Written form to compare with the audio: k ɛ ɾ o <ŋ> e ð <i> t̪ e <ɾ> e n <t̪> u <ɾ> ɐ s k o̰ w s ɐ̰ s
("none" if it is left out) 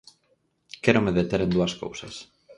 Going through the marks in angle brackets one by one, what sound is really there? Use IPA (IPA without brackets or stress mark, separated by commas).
m, e, ɾ, d̪, none